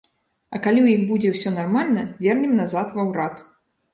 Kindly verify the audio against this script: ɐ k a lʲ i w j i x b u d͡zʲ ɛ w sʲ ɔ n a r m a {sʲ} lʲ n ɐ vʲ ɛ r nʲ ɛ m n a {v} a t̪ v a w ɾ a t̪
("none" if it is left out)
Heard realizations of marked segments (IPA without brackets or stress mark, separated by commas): none, z